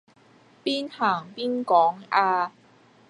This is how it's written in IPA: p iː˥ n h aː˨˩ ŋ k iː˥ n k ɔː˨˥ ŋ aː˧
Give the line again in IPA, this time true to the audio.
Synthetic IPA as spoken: p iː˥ n h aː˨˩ ŋ p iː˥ n k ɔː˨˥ ŋ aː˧